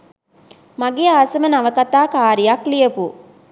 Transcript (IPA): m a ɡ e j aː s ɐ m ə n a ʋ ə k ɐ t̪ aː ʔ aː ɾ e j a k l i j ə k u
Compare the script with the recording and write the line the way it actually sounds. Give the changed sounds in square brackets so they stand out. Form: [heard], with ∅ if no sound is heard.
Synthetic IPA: m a ɡ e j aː s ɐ m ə n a ʋ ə k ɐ t̪ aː [k] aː ɾ [i] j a k l i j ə [p] u